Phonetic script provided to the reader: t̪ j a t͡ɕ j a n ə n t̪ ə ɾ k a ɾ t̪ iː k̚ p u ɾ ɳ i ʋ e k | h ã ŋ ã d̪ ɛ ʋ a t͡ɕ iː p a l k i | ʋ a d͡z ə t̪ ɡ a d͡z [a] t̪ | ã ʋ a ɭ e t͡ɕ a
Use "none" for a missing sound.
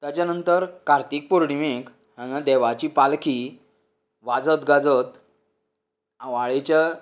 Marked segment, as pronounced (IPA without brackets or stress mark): ə